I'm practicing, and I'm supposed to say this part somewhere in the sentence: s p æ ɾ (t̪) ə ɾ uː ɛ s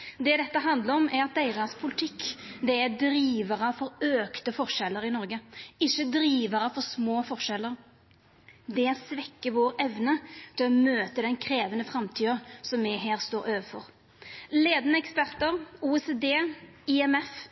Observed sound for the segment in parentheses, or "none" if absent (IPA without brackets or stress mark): t̪